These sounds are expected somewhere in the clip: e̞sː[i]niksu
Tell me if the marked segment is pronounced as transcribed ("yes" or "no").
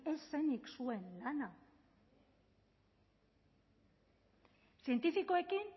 no